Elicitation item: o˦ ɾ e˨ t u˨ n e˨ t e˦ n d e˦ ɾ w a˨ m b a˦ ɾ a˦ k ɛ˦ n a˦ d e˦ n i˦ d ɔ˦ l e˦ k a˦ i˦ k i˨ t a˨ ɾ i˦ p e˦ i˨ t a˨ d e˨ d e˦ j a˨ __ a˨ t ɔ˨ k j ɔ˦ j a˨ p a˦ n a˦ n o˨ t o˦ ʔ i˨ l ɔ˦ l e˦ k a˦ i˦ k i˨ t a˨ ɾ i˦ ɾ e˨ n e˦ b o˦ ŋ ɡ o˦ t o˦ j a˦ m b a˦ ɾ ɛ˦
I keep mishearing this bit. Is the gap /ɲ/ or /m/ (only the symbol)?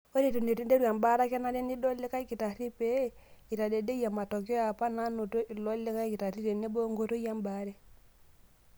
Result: m